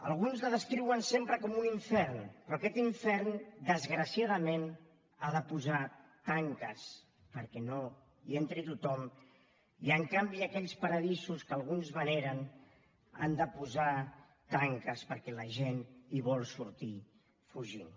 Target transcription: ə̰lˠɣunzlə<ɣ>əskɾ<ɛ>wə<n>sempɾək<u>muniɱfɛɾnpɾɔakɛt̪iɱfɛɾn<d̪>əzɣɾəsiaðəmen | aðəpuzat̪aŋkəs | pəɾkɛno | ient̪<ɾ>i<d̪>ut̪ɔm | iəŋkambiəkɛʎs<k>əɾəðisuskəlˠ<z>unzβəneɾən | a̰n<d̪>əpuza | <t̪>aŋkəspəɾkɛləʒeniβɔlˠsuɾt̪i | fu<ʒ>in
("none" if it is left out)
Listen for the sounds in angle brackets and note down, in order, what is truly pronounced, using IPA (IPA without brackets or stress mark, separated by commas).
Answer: ð, i, n, ɔ, d̪, ɾ, t̪, p, ɣ, d̪, t̪, ʒ